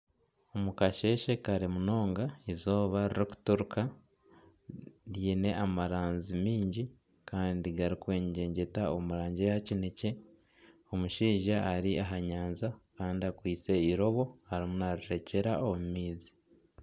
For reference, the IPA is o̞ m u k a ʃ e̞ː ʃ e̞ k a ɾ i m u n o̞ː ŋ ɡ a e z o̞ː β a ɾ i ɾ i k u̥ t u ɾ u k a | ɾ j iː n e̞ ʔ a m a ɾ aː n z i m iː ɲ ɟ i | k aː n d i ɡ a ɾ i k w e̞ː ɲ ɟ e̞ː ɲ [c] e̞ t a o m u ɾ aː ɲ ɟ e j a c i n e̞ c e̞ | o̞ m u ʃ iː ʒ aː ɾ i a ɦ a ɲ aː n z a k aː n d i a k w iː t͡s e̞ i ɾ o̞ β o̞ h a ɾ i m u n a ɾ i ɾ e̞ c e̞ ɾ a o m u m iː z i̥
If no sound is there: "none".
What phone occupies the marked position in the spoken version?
ɟ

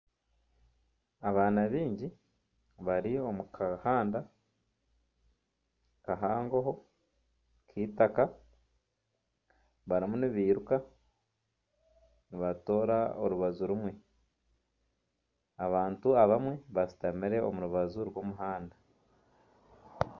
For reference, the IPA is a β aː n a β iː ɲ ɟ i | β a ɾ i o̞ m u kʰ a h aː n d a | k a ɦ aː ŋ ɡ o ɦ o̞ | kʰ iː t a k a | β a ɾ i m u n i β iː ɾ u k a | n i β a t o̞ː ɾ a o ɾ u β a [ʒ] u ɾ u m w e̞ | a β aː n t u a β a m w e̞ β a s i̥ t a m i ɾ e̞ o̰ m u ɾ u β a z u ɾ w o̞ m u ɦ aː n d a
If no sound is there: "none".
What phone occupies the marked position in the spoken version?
z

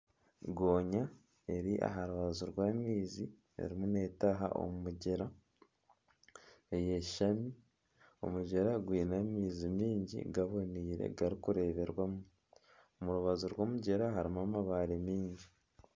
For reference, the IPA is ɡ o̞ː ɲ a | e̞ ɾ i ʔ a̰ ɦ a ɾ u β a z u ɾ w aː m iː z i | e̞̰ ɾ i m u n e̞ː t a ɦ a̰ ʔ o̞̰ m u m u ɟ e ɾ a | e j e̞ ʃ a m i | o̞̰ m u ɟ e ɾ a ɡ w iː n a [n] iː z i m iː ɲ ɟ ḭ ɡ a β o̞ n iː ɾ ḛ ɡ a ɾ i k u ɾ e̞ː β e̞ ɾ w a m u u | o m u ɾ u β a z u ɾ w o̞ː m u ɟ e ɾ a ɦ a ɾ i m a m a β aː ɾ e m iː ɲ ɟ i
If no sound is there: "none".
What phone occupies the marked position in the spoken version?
m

